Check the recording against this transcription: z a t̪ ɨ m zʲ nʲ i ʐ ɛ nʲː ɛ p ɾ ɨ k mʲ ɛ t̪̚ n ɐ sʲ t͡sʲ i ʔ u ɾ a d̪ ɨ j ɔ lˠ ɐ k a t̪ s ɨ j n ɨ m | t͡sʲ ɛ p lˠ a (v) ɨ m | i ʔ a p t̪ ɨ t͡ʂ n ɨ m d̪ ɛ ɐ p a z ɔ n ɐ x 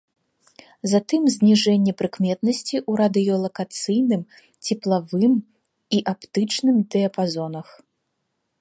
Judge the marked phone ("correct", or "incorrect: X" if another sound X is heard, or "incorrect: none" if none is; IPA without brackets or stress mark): correct